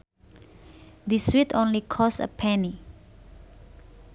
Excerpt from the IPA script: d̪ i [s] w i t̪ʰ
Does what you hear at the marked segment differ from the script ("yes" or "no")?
no